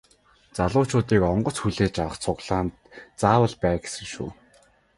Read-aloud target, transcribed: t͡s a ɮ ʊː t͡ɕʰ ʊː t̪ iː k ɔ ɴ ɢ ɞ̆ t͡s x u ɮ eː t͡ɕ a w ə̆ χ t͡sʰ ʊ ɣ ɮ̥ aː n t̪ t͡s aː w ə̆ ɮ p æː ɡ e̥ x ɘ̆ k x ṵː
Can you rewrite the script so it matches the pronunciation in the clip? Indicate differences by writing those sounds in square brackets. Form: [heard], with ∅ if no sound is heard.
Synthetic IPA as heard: t͡s a ɮ ʊː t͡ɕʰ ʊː t̪ iː k ɔ ɴ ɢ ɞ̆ t͡s x u ɮ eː t͡ɕ a w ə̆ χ t͡sʰ ʊ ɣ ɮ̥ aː n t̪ t͡s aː w ə̆ ɮ p æː ɡ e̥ [s] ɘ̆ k [ʃ] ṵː

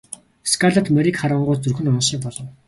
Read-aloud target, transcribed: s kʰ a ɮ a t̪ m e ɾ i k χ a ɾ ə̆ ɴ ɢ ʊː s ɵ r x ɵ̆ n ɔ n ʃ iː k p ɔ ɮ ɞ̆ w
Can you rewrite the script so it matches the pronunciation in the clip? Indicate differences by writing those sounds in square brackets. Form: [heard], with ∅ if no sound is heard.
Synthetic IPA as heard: s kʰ a ɮ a t̪ m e ɾ i k χ a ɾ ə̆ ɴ ɢ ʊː [t͡s] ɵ r x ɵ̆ n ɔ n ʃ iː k p ɔ ɮ ɞ̆ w

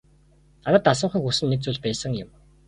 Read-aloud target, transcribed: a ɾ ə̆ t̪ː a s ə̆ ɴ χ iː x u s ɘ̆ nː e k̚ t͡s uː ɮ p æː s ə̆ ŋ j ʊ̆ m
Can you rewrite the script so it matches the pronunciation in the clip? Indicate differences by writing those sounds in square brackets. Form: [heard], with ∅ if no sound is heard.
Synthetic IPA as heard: a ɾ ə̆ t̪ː a s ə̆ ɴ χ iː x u s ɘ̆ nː e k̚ t͡s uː ɮ p æː s ə̆ ŋ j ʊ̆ m

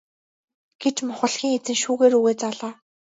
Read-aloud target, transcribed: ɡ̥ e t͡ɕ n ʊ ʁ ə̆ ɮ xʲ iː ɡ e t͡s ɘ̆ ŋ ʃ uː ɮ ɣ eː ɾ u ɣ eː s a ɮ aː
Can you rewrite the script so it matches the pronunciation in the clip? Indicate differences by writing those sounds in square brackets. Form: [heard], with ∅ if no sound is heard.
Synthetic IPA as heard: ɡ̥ e t͡ɕ [m] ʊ [χ] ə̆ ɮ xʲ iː [ŋ] e t͡s ɘ̆ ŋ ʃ uː [∅] ɣ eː ɾ u ɣ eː [t͡s] a ɮ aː

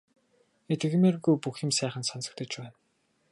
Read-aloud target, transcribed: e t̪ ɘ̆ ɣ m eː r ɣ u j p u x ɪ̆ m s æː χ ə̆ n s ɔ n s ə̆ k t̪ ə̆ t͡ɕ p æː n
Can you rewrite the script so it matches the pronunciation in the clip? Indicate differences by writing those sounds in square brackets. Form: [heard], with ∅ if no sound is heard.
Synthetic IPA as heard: e t̪ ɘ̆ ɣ m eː r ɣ u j p u x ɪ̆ m s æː χ ə̆ n s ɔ n s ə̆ k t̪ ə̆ t͡ɕ p æː n

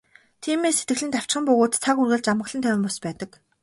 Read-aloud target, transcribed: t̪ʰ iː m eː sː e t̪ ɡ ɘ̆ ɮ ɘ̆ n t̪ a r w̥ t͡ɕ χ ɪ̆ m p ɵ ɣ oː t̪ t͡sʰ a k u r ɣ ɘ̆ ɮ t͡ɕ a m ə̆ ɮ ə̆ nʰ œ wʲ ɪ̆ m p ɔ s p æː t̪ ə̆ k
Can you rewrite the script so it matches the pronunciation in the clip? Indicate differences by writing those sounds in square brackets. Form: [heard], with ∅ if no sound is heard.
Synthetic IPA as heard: t̪ʰ iː m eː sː e t̪ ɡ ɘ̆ ɮ ɘ̆ n t̪ a [∅] w̥ t͡ɕ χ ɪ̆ m p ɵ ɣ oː t̪ t͡sʰ a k u r ɣ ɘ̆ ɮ t͡ɕ a m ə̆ ɮ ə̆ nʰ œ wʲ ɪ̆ m p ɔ s p æː t̪ ə̆ k

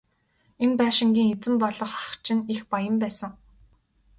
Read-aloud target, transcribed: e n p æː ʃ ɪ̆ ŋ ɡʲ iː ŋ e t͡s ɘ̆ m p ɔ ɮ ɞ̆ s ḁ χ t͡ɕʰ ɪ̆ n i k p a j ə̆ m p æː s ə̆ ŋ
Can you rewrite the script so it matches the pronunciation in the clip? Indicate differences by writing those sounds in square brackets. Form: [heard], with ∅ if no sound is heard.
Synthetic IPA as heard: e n p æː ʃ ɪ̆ ŋ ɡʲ iː ŋ e t͡s ɘ̆ m p ɔ ɮ ɞ̆ [χ] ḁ χ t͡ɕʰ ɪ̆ n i [x] p a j ə̆ m p æː s ə̆ ŋ

